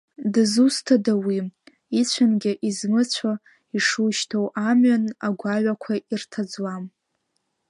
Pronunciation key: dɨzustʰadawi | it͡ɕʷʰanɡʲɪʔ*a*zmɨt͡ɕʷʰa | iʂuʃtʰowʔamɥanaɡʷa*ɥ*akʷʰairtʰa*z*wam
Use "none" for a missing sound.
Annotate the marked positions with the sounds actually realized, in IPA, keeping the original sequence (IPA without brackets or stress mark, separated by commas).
i, ɥ, d͡z